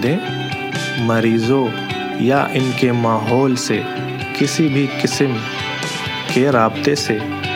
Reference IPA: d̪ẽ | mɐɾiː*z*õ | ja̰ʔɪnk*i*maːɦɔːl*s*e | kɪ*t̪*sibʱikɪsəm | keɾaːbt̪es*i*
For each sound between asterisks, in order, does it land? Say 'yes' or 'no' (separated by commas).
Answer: yes, no, yes, no, no